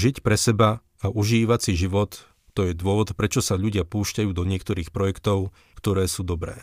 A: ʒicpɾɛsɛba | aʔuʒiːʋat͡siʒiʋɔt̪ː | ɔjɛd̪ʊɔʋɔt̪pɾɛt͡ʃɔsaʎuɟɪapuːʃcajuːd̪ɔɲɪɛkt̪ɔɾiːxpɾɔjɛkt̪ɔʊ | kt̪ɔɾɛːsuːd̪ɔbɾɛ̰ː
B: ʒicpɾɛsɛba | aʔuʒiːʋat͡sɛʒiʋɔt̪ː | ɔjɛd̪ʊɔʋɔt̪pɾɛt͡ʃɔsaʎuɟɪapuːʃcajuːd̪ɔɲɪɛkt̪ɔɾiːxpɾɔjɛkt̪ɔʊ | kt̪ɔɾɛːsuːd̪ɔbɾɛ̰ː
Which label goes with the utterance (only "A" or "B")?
A